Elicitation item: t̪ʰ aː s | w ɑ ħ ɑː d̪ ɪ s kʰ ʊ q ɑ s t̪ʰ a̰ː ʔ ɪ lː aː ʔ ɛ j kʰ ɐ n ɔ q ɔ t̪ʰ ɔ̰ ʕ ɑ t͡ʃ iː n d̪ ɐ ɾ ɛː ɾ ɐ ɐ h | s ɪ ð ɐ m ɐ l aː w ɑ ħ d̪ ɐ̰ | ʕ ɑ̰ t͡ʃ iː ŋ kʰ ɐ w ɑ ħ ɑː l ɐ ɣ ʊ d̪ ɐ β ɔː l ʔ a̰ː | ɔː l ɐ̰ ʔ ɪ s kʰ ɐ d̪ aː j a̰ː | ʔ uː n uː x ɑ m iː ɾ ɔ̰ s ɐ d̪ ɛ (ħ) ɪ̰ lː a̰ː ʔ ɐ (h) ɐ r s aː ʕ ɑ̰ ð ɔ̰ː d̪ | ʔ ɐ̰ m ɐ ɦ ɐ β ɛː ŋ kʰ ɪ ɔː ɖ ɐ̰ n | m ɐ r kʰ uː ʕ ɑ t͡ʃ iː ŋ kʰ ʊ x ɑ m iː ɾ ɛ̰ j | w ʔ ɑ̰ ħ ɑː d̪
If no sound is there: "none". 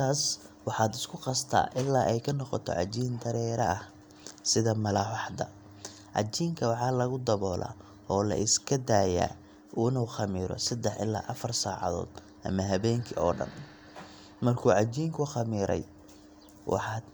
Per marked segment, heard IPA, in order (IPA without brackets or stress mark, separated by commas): ħ, f